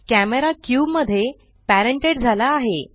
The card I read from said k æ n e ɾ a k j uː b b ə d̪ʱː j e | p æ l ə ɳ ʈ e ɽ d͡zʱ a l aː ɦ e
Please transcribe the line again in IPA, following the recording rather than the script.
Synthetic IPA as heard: k æ m e ɾ a k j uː b m ə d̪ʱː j e | p æ ɾ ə ɳ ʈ e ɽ d͡zʱ a l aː ɦ e